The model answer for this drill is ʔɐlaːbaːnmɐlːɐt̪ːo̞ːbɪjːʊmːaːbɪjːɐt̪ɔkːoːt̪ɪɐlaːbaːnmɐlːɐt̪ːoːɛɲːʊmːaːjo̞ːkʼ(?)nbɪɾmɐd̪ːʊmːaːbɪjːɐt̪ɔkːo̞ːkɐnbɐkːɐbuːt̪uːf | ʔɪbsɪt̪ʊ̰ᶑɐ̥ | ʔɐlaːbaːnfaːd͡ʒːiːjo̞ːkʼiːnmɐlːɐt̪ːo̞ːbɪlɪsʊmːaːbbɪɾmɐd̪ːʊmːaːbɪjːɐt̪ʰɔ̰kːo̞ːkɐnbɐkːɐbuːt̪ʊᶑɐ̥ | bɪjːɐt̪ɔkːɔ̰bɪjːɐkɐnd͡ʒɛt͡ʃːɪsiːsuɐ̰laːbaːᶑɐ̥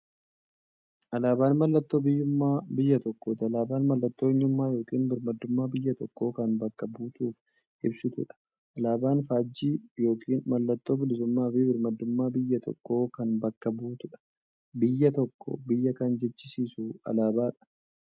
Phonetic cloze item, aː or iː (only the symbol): iː